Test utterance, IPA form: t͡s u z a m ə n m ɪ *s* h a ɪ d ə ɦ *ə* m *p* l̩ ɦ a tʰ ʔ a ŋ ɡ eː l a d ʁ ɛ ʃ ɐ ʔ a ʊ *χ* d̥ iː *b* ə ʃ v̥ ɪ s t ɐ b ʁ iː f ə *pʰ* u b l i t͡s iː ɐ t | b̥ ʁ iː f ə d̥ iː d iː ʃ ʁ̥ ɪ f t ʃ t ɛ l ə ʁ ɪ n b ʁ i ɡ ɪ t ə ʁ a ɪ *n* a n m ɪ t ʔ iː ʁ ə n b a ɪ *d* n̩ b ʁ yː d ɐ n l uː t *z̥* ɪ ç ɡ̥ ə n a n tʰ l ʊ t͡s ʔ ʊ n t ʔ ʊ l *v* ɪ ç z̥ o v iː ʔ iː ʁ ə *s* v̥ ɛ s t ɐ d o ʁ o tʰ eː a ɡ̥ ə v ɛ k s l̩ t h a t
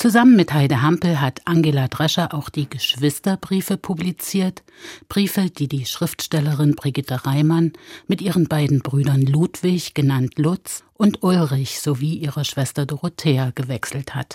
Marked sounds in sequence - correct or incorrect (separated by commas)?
incorrect, incorrect, correct, incorrect, incorrect, correct, incorrect, correct, incorrect, incorrect, incorrect